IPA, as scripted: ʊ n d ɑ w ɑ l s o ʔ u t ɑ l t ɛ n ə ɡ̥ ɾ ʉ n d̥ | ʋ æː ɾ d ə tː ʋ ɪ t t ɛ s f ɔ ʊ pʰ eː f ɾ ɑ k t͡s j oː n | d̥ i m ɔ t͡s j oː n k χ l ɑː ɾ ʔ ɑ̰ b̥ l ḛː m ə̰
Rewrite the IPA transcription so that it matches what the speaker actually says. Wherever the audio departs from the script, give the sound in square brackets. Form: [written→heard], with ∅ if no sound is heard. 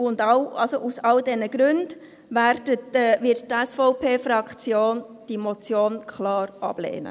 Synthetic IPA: ʊ n d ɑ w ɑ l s o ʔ u [t→s] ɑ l [t→d] ɛ n ə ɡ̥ ɾ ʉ n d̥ | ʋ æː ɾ d ə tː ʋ ɪ t t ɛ s f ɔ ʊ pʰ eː f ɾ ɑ k t͡s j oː n | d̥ i m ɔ t͡s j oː n k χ l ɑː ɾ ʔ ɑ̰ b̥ l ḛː [m→n] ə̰